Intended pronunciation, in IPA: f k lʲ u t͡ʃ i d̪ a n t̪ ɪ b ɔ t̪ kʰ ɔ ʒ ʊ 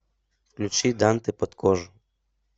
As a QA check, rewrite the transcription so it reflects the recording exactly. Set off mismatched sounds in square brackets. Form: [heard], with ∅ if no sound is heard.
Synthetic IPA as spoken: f k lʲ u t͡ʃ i d̪ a n t̪ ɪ [p] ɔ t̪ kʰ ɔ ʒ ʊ